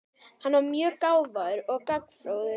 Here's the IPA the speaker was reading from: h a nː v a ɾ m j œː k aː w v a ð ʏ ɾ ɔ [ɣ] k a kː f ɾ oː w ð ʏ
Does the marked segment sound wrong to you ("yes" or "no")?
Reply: no